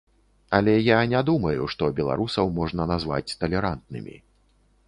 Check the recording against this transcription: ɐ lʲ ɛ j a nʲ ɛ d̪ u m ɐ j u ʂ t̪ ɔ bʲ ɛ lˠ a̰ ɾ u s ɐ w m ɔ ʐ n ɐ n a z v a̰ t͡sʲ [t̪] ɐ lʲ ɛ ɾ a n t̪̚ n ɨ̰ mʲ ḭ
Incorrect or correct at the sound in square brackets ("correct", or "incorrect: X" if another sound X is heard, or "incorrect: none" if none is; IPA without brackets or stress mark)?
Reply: correct